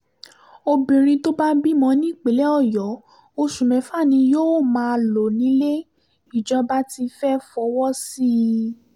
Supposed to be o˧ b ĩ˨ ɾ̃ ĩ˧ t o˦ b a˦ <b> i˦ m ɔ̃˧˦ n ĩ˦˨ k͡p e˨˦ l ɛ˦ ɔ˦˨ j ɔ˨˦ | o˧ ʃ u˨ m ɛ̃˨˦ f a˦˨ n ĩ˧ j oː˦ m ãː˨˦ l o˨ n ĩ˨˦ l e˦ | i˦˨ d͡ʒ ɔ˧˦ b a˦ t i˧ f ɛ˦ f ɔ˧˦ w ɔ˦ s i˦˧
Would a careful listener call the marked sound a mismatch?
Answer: no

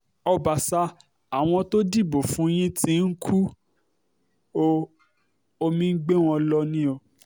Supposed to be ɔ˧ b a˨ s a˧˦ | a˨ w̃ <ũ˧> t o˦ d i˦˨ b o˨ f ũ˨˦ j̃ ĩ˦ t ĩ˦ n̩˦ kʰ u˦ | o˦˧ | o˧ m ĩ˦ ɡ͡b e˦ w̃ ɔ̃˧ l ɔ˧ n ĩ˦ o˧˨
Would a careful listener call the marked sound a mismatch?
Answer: yes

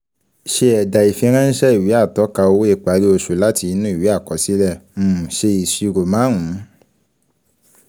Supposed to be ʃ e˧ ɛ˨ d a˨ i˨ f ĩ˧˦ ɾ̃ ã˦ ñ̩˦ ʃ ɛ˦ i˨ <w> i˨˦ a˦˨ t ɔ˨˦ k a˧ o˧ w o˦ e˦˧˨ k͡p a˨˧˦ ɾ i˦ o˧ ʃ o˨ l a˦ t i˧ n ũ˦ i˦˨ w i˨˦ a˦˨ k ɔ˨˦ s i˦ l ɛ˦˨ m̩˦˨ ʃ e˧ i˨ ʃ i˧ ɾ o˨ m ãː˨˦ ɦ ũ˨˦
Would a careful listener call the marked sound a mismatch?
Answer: no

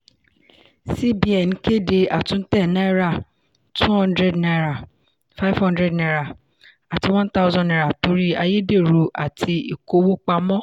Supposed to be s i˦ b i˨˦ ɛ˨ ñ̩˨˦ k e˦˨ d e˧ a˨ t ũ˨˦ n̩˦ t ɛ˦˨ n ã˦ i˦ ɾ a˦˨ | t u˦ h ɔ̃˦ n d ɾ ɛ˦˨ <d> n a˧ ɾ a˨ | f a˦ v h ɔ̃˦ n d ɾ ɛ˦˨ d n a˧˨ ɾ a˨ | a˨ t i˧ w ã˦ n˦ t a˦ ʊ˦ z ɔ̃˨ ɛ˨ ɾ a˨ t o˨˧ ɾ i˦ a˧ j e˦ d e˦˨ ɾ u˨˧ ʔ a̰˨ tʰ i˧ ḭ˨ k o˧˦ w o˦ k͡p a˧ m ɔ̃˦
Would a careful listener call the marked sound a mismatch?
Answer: no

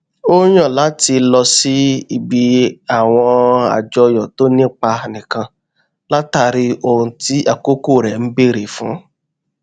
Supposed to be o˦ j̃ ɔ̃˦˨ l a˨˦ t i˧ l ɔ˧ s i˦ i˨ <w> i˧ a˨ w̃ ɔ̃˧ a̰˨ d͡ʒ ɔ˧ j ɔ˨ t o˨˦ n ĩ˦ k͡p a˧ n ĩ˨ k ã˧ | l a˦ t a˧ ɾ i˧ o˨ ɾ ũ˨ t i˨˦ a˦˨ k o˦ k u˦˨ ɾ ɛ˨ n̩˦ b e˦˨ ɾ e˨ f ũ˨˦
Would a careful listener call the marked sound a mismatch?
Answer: yes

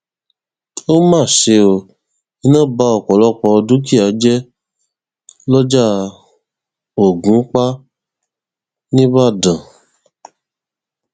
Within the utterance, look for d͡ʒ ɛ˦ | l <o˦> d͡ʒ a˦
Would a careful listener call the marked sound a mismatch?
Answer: yes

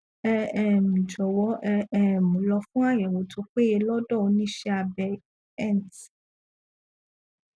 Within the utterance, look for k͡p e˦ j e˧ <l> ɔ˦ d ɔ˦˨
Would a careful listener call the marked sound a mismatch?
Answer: no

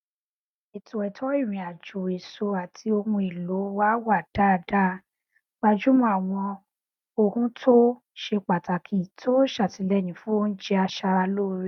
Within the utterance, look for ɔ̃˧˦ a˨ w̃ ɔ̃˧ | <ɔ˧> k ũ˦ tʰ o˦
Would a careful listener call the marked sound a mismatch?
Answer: yes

